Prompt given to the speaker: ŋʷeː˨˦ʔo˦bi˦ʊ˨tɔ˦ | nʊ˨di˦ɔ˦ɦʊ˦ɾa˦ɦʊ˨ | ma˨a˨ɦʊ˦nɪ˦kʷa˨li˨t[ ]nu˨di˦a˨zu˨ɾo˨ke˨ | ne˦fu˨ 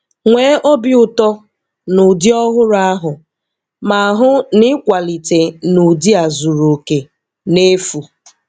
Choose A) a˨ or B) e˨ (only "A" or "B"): B